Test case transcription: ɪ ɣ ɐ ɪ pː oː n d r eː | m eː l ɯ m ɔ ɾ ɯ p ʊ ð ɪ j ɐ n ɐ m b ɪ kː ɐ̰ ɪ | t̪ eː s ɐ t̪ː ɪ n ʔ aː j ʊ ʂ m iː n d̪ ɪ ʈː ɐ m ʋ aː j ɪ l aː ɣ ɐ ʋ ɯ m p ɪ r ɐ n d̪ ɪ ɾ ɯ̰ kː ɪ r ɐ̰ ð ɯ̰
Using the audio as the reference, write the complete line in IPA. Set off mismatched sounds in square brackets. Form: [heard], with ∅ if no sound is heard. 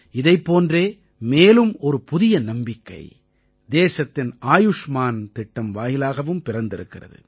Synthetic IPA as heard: ɪ [ð] ɐ ɪ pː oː n d r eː | m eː l ɯ m ɔ ɾ ɯ p ʊ ð ɪ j ɐ n ɐ m b ɪ kː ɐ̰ ɪ | [d̪] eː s ɐ t̪ː ɪ n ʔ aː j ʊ ʂ m [aː] n [t̪] ɪ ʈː ɐ m ʋ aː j ɪ l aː ɣ ɐ ʋ ɯ m p ɪ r ɐ n d̪ ɪ ɾ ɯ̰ kː ɪ r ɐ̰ ð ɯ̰